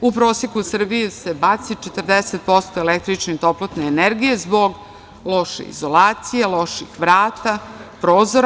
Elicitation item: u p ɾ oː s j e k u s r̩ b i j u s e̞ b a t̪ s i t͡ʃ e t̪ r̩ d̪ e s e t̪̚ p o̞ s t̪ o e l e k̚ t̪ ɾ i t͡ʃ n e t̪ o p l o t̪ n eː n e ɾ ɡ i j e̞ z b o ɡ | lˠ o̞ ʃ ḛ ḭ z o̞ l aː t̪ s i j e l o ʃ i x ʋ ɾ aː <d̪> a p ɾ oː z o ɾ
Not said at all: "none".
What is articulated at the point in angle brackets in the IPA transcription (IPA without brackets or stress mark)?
t̪